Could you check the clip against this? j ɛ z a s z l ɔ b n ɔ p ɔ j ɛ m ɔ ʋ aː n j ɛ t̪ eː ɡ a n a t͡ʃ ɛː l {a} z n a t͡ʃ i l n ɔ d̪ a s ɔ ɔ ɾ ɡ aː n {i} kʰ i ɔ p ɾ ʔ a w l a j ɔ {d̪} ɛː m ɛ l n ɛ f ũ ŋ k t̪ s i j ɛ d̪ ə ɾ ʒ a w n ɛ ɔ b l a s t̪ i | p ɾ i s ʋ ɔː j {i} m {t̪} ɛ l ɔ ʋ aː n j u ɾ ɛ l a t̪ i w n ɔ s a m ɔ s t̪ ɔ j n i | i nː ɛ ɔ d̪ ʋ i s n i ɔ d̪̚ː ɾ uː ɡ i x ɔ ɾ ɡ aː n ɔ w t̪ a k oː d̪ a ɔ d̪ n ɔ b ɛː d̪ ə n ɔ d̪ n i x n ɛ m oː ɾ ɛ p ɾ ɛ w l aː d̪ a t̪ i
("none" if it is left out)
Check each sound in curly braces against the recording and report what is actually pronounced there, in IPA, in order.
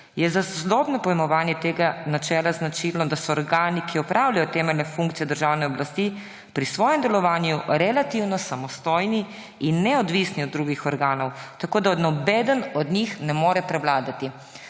a, i, t̪, ɛ, d̪

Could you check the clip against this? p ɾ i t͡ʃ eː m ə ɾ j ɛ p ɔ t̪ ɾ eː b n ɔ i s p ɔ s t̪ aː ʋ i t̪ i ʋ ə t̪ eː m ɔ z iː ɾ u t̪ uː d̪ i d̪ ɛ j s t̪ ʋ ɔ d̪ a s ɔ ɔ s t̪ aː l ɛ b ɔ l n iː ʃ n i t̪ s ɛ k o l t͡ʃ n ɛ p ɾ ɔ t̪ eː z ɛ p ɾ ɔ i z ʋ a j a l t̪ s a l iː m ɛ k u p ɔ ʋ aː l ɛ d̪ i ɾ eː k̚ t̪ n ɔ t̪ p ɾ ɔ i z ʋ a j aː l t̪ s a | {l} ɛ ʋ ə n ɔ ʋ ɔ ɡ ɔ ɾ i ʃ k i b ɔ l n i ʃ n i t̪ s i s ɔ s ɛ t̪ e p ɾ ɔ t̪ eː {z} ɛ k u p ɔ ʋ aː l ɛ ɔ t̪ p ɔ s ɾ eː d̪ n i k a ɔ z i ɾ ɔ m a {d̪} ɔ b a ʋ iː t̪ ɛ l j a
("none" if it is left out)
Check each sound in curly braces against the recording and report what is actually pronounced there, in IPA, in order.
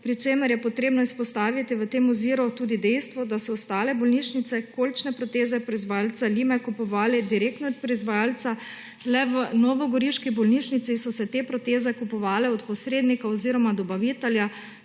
l, z, d̪

